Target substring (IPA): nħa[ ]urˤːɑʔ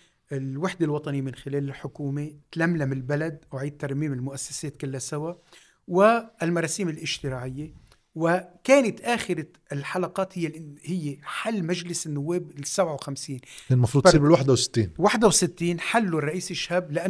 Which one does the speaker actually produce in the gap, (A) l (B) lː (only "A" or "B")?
B